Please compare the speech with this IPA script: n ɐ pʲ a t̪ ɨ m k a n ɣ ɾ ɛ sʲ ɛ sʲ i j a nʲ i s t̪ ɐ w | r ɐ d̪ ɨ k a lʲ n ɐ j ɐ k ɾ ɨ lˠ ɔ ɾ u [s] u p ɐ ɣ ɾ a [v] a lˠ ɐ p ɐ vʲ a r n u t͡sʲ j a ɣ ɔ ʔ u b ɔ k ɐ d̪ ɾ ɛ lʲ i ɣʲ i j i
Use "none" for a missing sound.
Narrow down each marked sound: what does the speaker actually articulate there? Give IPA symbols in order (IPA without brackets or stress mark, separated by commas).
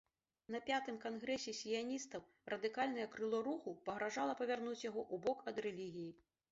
x, ʐ